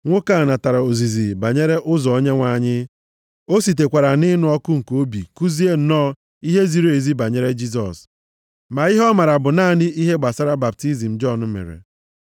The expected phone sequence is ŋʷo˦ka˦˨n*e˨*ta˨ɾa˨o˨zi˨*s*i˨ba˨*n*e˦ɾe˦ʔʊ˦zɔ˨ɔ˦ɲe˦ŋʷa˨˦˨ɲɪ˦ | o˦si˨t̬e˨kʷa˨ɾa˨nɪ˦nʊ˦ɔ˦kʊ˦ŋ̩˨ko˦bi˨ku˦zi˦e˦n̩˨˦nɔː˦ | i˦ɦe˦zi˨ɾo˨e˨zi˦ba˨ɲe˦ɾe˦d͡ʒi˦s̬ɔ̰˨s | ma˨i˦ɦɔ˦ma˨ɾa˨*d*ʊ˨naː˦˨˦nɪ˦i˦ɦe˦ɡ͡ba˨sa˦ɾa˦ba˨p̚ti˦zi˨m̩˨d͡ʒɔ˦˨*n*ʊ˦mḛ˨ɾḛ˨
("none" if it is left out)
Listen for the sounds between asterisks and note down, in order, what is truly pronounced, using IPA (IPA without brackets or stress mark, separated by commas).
a˨, z, ɲ, b, n